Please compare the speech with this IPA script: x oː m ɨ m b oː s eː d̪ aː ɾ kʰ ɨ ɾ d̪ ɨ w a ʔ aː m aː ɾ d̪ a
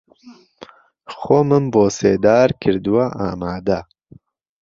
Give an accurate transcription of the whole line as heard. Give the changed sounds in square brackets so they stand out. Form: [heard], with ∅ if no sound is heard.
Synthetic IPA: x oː m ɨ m b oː s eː d̪ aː ɾ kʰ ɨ ɾ d̪ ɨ w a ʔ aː m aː [∅] d̪ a